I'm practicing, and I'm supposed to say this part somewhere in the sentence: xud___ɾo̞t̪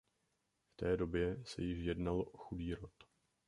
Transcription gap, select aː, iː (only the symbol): iː